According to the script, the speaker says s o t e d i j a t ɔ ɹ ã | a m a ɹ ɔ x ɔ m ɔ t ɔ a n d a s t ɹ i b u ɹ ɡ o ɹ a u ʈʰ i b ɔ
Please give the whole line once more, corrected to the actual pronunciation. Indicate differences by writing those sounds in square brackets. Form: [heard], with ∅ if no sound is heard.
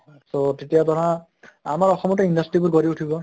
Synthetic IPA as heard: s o t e [t] i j a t ɔ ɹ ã | a m a ɹ ɔ x ɔ m ɔ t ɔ [i] n d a s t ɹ i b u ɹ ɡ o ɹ [i] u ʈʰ i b ɔ